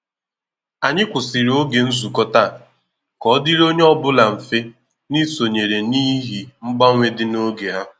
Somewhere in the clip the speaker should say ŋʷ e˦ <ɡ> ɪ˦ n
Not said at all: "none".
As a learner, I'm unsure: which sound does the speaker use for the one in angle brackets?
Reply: d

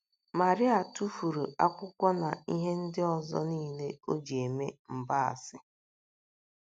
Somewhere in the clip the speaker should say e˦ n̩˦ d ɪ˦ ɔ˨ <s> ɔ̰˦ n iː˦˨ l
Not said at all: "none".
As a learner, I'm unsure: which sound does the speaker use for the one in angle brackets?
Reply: z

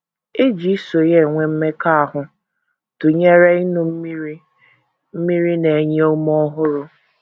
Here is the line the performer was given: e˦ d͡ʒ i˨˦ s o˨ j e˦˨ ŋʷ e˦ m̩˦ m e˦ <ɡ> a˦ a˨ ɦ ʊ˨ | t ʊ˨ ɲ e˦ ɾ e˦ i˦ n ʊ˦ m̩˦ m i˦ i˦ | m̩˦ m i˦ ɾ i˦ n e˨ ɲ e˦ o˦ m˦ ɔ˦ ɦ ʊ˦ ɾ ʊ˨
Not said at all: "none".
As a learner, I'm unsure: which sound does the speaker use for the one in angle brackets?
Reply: k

